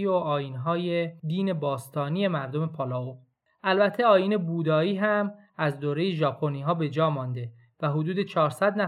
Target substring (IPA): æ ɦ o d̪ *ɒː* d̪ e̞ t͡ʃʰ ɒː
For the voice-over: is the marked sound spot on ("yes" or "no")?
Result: no